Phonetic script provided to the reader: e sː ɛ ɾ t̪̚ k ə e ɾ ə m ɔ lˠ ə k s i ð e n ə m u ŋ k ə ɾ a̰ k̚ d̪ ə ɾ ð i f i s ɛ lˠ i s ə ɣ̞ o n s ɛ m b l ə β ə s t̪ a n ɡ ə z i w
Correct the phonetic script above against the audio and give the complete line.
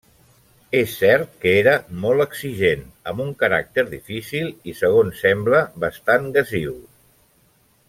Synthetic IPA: e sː ɛ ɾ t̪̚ k ə e ɾ ə m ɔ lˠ ə k s i ʒ e n ə m u ŋ k ə ɾ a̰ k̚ t̪ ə ɾ ð i f i s i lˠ i s ə ɣ̞ o n s ɛ m b l ə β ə s t̪ a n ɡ ə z i w